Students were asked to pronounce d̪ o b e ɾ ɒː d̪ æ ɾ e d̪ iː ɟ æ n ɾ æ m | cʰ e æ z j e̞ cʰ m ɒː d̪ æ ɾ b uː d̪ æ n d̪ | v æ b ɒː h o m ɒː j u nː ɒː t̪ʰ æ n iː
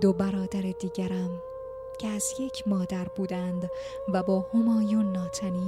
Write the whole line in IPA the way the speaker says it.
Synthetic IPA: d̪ o b æ ɾ ɒː d̪ æ ɾ e d̪ iː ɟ æ ɾ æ m | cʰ e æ z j e̞ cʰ m ɒː d̪ æ ɾ b uː d̪ æ n d̪ | v æ b ɒː h o m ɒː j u nː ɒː t̪ʰ æ n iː